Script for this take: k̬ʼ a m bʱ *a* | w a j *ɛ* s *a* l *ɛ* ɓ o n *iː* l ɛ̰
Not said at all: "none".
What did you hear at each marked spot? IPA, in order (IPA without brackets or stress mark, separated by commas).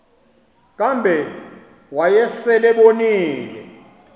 ɛ, ɛ, ɛ, ɛ, iː